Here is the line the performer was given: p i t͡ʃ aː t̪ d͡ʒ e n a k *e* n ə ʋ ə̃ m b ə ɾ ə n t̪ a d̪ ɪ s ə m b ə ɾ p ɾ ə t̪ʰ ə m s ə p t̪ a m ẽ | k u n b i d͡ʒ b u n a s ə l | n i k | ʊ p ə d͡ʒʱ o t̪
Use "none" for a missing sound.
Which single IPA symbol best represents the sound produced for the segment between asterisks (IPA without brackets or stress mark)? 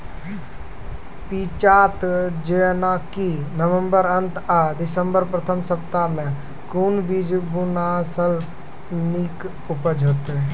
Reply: i